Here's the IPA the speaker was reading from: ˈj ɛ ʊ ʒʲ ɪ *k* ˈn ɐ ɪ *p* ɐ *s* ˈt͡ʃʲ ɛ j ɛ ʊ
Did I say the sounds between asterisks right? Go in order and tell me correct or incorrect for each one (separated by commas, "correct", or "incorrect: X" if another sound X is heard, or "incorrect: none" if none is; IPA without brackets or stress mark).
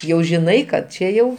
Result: incorrect: none, incorrect: k, incorrect: t